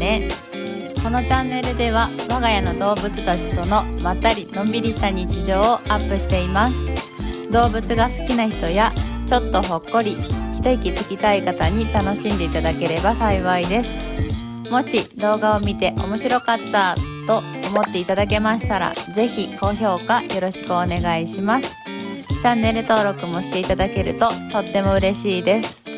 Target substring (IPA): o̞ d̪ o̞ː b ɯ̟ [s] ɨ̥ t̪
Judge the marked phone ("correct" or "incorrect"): incorrect